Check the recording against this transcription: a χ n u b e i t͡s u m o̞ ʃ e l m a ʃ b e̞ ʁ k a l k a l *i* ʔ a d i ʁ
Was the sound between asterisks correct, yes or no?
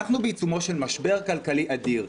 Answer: yes